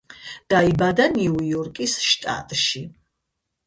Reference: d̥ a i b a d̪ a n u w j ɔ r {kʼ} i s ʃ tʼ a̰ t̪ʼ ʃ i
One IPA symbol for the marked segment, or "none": kʼ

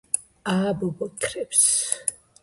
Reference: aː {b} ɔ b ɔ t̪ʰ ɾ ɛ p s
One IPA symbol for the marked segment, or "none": b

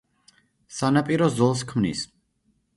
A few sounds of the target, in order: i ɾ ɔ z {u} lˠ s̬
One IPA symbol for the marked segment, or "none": ɔ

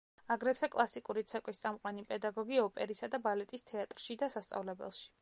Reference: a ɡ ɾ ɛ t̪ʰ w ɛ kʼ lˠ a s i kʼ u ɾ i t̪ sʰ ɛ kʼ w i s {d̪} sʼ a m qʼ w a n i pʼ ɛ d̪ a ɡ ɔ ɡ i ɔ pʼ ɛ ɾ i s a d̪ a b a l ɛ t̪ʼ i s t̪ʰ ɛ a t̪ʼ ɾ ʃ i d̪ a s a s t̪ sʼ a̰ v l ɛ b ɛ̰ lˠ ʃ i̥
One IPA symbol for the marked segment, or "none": t̪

